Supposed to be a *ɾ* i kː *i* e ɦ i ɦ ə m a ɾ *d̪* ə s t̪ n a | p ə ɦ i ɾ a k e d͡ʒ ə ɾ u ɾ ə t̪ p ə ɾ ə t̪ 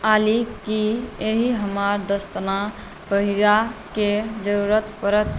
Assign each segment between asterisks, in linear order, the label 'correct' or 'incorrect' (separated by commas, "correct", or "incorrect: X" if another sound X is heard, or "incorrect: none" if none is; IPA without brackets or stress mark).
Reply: incorrect: l, correct, correct